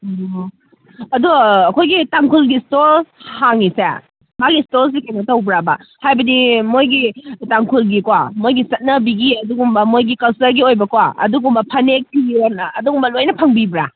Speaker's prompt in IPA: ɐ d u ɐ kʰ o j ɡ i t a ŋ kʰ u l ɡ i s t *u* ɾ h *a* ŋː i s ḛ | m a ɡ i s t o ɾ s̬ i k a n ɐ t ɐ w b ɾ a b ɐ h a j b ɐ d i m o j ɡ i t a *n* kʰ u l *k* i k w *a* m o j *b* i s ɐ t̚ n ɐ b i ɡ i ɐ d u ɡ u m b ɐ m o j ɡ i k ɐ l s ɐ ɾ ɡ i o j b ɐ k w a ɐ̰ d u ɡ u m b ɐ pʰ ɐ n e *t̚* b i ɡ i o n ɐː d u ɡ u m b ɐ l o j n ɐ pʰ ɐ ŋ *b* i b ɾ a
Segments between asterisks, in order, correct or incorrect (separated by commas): incorrect, correct, incorrect, incorrect, correct, incorrect, incorrect, correct